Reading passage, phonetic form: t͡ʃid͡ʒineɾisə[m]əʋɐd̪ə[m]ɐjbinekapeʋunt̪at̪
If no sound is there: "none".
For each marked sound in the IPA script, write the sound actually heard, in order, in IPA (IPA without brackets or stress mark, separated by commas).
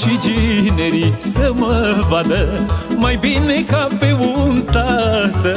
m, m